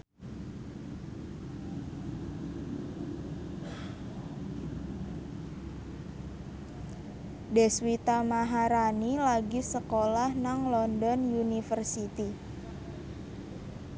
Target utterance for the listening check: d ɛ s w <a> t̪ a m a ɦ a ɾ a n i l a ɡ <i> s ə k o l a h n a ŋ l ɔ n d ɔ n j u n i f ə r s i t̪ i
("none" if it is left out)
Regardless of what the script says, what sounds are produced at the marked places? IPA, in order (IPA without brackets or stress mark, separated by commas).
i, i